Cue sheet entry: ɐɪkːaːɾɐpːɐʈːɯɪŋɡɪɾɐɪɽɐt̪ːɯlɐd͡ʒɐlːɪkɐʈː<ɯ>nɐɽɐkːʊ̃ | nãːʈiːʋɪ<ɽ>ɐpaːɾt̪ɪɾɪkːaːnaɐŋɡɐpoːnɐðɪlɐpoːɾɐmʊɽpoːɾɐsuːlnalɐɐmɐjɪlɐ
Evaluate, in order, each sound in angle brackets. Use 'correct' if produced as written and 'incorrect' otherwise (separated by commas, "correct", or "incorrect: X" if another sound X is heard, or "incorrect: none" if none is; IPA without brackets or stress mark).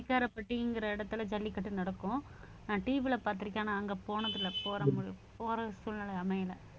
correct, incorrect: l